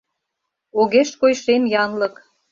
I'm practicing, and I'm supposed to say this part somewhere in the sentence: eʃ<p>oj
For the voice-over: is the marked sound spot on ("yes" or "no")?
no